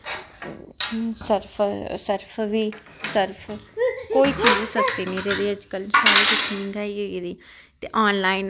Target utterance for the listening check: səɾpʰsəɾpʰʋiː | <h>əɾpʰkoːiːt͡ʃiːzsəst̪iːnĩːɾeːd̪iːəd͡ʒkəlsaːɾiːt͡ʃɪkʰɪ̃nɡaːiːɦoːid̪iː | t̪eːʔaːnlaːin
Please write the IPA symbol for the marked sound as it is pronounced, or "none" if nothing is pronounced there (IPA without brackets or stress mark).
s